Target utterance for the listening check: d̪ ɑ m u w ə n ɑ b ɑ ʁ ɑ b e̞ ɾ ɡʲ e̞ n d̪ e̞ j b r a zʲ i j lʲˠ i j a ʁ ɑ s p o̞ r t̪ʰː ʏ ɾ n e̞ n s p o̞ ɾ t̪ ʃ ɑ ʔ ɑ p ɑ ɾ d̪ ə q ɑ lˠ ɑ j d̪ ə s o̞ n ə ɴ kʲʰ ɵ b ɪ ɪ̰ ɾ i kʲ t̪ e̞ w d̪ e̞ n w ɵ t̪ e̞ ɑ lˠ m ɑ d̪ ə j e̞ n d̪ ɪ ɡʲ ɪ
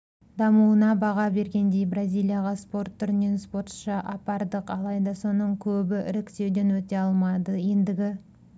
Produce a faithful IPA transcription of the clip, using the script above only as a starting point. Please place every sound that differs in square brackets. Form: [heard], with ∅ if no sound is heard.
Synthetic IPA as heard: d̪ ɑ m u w ə n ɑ b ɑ ʁ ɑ b e̞ ɾ ɡʲ e̞ n d̪ e̞ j b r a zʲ i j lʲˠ i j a ʁ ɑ s p o̞ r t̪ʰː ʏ ɾ n e̞ n s p o̞ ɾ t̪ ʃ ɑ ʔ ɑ p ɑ ɾ d̪ ə q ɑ lˠ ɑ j d̪ [ɑ] s o̞ n ə ɴ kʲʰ ɵ b ɪ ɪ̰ ɾ [ɪ] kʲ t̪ e̞ w d̪ e̞ n w ɵ t̪ e̞ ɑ lˠ m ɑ d̪ ə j e̞ n d̪ ɪ ɡʲ ɪ